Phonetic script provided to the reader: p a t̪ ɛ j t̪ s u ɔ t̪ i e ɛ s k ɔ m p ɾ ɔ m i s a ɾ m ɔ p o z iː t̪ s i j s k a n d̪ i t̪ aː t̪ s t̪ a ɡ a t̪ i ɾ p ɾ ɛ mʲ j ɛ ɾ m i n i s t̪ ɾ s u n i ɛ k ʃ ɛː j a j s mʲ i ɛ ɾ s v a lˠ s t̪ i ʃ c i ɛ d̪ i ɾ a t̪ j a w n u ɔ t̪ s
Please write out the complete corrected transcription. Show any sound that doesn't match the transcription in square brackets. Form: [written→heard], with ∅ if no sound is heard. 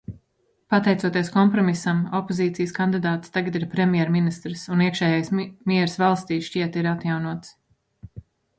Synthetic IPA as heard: p a t̪ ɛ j t̪ s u ɔ t̪ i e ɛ s k ɔ m p ɾ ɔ m i s a [ɾ→∅] m ɔ p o z iː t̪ s i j s k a n d̪ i [t̪→d̪] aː t̪ s t̪ a ɡ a t̪ i ɾ p ɾ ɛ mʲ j ɛ ɾ m i n i s t̪ ɾ s u n i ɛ k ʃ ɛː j a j s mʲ i ɛ ɾ s v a lˠ s t̪ [i→iː] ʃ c i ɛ [d̪→t̪] i ɾ a t̪ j a w n u ɔ t̪ s

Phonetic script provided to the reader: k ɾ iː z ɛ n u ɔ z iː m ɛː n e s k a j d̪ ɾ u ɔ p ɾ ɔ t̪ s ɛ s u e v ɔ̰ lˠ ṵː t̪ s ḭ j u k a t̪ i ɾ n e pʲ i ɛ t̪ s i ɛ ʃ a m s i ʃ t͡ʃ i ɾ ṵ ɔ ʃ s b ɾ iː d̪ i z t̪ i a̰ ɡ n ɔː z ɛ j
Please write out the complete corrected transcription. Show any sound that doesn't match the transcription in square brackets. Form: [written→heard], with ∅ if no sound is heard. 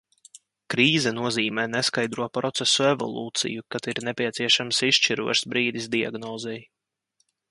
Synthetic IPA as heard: k ɾ iː z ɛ n u ɔ z iː m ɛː n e s k a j d̪ ɾ u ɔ p ɾ ɔ t̪ s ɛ s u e v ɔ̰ lˠ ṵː t̪ s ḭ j u k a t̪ i ɾ n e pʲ i ɛ t̪ s i ɛ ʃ a m s i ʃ t͡ʃ i ɾ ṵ ɔ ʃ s b ɾ iː d̪ i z [t̪→d̪] i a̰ ɡ n ɔː z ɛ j

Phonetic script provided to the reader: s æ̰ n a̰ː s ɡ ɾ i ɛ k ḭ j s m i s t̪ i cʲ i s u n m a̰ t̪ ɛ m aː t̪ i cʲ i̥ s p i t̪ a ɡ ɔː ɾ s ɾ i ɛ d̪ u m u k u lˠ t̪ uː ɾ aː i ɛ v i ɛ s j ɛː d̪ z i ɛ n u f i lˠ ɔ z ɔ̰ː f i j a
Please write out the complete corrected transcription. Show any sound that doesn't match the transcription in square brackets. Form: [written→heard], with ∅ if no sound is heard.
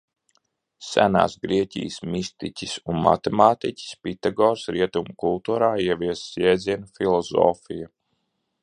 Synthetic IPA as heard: s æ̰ n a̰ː s ɡ ɾ i ɛ [k→c] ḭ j s m i s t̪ i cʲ i s u n m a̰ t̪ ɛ m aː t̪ i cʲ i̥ s p i t̪ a ɡ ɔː ɾ s ɾ i ɛ [d̪→t̪] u m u k u lˠ t̪ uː ɾ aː i ɛ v i ɛ s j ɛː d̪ z i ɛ n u f i lˠ ɔ z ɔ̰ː f i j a

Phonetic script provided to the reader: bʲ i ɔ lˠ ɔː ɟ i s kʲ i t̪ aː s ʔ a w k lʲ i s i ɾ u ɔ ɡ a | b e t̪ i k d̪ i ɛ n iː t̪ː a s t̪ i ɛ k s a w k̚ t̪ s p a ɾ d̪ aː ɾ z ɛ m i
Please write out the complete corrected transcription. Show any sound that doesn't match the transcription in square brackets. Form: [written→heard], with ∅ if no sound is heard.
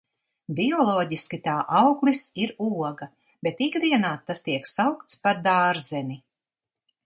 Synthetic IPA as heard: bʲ i ɔ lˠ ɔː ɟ i s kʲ i t̪ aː [s→∅] ʔ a w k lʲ i s i ɾ u ɔ ɡ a | b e t̪ i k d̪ i ɛ n [iː→aː] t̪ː a s t̪ i ɛ k s a w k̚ t̪ s p a ɾ d̪ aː ɾ z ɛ [m→n] i

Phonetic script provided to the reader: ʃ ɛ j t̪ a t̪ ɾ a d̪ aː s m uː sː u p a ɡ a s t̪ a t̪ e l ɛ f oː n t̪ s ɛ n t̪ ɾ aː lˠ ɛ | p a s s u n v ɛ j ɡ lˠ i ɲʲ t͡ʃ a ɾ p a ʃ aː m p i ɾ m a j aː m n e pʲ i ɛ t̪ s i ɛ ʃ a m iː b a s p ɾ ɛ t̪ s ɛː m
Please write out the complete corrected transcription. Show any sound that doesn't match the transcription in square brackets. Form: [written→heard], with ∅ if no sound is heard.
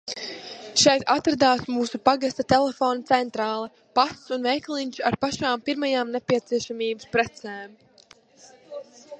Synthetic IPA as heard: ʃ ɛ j t̪ a t̪ ɾ a d̪ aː s m uː [sː→s] u p a ɡ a s t̪ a t̪ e l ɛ f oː n t̪ s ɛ n t̪ ɾ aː lˠ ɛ | p a s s u n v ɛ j [ɡ→k] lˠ i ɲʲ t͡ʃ a ɾ p a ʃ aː m p i ɾ m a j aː m n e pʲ i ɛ t̪ s i ɛ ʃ a m iː b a s p ɾ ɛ t̪ s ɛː m

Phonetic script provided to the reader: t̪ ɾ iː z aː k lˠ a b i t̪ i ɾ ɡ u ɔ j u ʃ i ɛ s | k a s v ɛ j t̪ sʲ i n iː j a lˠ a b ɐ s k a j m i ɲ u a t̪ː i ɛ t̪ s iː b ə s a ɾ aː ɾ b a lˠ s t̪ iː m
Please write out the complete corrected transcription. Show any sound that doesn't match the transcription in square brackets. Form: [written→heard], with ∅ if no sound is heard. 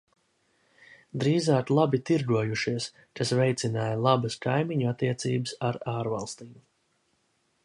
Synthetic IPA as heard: [t̪→d̪] ɾ iː z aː k lˠ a b i t̪ i ɾ ɡ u ɔ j u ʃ i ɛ s | k a s v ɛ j t̪ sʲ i n [iː→aː] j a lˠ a b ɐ s k a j m i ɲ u a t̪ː i ɛ t̪ s iː b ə s a ɾ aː ɾ [b→v] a lˠ s t̪ iː m

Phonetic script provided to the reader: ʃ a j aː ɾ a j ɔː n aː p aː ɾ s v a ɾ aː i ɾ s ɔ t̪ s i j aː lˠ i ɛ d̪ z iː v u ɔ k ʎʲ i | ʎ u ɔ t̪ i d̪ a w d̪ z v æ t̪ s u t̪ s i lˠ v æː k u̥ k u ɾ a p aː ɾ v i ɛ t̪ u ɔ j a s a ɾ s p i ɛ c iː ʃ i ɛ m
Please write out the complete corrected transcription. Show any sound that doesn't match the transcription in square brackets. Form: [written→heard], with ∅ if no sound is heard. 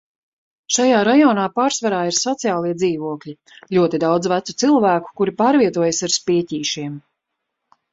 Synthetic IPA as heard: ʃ a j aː ɾ a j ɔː n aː p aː ɾ s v a ɾ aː i ɾ s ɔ t̪ s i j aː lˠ i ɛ d̪ z iː v u ɔ k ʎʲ i | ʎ u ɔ t̪ i d̪ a w d̪ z v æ t̪ s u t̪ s i lˠ v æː k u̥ k u ɾ [a→i] p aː ɾ v i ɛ t̪ u ɔ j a s a ɾ s p i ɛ c iː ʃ i ɛ m

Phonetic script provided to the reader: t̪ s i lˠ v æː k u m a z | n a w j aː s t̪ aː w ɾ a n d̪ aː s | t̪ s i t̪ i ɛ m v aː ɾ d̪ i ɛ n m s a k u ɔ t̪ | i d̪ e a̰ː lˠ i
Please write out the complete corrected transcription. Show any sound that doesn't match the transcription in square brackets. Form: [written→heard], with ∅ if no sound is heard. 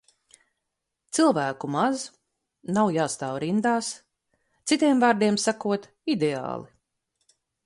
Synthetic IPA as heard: t̪ s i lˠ v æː k u m a z | n a w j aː s t̪ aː w ɾ [a→i] n d̪ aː s | t̪ s i t̪ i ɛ m v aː ɾ d̪ i ɛ [n→∅] m s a k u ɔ t̪ | i d̪ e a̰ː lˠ i

